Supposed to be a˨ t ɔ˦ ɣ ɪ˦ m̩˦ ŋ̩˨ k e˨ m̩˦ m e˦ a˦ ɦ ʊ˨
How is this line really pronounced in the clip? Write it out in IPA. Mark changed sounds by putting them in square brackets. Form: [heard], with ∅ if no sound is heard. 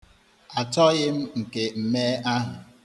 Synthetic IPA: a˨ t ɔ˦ ɣ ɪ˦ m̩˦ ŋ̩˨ k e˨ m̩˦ m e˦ a˦ ɦ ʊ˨